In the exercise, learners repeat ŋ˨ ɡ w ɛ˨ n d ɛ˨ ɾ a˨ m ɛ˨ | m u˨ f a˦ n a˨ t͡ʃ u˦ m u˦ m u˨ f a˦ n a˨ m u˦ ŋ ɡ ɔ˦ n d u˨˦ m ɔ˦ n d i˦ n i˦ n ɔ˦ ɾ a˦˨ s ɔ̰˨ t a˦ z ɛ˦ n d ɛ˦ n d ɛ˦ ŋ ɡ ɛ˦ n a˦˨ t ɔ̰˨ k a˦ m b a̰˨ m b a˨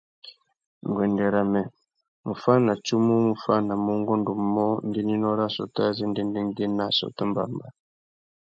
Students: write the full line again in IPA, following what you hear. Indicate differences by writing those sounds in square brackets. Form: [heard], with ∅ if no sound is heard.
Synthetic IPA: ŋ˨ ɡ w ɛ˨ n d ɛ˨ ɾ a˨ m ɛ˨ | m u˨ f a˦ n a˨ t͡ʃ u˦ m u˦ m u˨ f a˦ n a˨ m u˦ ŋ ɡ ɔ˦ n d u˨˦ m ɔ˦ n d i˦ n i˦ n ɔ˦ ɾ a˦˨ s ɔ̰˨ t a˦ z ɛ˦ n d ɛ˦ n d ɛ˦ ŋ ɡ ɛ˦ n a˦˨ [s] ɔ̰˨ [t] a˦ m b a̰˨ m b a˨